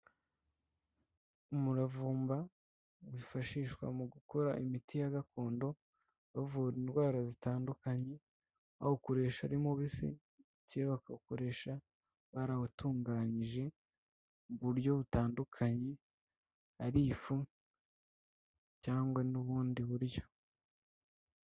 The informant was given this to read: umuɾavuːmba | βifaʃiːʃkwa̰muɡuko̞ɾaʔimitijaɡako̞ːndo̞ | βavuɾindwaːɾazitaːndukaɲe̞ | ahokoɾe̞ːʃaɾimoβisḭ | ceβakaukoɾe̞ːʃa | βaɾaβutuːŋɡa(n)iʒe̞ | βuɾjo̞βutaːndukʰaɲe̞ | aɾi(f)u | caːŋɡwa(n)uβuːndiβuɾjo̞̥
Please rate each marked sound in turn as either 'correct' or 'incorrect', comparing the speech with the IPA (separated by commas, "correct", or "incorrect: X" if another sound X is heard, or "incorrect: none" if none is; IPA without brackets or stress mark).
incorrect: ɲ, correct, correct